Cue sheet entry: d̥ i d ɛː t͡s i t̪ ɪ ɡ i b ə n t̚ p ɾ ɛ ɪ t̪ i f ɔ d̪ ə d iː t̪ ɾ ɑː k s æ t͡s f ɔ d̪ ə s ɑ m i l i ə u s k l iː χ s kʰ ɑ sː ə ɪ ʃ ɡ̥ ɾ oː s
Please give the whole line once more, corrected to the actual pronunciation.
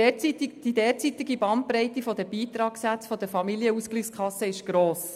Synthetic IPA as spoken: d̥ i d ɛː t͡s i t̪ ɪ ɡ i b ɑ n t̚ p ɾ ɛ ɪ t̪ i f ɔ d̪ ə b iː t̪ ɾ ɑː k s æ t͡s f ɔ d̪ ə f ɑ m i l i ə u s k l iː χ s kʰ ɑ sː ə ɪ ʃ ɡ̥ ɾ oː s